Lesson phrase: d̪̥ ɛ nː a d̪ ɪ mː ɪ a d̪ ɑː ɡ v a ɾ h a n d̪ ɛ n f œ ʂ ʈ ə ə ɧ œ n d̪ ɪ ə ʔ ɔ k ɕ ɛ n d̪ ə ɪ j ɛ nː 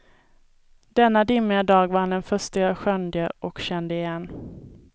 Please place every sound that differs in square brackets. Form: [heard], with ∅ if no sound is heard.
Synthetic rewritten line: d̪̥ ɛ nː a d̪ ɪ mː ɪ a d̪ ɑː ɡ v a ɾ h a n d̪ ɛ n f œ ʂ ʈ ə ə ɧ œ n d̪ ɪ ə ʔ ɔ k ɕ ɛ n d̪ ə ɪ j ɛ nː